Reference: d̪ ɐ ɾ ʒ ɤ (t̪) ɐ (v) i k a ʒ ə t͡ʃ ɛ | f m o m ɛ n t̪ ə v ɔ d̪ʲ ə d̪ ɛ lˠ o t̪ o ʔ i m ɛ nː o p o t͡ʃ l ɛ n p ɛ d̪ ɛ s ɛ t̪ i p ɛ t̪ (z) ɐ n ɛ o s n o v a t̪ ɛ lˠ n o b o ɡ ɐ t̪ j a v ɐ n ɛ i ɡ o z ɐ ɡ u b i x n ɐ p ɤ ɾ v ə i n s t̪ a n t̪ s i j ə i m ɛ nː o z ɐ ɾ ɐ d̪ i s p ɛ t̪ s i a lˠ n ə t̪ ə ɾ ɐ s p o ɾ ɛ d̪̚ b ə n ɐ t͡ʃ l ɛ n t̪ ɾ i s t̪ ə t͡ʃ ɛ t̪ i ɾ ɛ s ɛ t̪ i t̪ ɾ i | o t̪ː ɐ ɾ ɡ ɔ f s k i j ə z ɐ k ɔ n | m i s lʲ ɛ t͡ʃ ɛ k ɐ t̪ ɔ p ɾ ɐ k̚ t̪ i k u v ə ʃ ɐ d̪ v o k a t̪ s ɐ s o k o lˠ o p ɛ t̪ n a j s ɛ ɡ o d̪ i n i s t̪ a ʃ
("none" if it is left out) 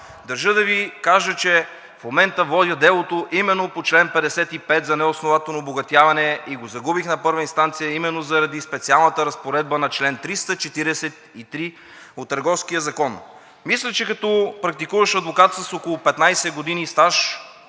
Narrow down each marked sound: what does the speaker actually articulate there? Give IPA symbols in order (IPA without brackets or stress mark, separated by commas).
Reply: d̪, v, z